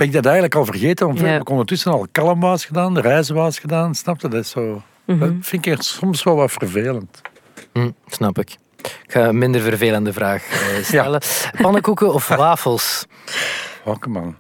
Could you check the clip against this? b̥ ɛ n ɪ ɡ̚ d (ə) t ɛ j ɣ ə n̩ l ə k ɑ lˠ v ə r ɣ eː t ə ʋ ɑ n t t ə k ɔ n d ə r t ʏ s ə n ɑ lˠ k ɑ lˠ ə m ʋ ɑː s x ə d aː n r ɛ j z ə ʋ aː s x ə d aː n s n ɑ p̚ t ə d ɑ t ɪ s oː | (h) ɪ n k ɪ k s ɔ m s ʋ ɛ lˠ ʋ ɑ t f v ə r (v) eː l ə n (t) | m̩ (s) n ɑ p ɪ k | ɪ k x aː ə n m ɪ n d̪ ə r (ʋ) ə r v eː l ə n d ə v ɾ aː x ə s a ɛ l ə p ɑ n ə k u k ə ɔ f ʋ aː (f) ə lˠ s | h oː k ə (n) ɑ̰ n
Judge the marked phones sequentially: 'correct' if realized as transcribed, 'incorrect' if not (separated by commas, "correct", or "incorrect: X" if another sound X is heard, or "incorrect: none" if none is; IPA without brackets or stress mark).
incorrect: ɑ, incorrect: f, correct, correct, correct, incorrect: v, correct, incorrect: m